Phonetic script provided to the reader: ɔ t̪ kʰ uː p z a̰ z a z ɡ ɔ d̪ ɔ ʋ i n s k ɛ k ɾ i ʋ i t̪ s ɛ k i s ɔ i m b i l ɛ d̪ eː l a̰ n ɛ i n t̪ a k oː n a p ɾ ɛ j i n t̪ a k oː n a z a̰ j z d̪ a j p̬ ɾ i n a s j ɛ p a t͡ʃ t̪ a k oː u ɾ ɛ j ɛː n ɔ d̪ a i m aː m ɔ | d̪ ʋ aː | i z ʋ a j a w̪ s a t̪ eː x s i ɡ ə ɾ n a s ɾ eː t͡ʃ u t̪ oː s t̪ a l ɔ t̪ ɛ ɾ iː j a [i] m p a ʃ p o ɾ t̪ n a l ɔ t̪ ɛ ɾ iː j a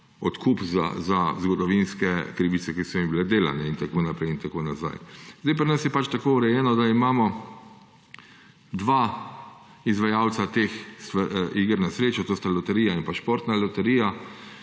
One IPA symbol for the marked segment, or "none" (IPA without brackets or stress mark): i